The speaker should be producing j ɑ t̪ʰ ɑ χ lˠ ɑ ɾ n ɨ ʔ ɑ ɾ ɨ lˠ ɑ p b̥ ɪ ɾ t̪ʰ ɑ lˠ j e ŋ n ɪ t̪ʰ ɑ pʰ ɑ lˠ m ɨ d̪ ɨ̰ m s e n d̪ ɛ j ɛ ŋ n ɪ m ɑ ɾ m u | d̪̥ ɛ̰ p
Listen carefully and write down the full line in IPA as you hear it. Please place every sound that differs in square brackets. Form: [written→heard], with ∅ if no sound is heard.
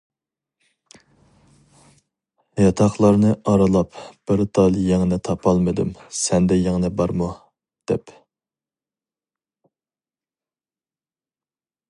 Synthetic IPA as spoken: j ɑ t̪ʰ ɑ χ lˠ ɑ ɾ n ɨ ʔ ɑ ɾ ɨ lˠ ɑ p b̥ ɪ ɾ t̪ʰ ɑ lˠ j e ŋ n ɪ t̪ʰ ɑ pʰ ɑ lˠ m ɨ d̪ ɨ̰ m s [e→ɛ] n d̪ ɛ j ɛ ŋ n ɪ [m→b] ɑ ɾ m u | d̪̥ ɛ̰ p